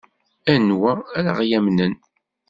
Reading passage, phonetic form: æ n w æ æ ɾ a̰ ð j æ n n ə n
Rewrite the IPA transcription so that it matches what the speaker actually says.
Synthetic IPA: æ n w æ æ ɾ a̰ ʁ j æ m n ə n